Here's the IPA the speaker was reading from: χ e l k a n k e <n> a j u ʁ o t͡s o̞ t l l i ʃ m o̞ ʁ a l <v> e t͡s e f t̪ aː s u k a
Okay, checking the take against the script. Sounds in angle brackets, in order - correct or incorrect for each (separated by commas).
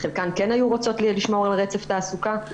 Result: correct, incorrect